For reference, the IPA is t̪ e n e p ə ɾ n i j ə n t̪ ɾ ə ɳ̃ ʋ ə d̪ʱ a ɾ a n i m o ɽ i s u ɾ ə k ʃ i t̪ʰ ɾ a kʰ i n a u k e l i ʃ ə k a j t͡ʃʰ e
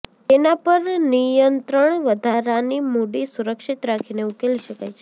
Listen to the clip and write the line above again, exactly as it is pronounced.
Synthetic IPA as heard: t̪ e n a p ə ɾ n i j ə n t̪ ɾ ə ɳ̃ ʋ ə d̪ʱ a ɾ a n i m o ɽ i s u ɾ ə k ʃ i t̪ ɾ a kʰ i n e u k e l i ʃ ə k a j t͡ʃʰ e